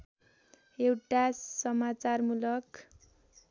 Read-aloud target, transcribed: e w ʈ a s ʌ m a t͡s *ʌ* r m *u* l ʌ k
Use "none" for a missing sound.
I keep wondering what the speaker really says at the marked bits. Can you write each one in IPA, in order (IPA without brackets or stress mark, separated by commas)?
a, u